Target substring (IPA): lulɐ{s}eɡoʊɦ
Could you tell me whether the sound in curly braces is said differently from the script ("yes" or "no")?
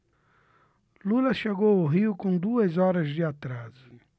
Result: yes